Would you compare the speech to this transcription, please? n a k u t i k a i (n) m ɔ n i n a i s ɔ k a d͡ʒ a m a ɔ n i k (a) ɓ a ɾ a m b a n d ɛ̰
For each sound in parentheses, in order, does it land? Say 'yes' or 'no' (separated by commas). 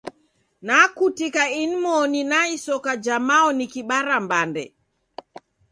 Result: yes, no